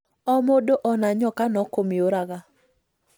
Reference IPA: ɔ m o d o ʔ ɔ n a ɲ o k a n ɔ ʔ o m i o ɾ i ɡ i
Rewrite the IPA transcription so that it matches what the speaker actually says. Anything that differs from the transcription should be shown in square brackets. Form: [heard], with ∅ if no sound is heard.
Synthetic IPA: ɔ m o d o ʔ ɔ n a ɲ [ɔ] k a n ɔ [k] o m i o ɾ [a] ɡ [a]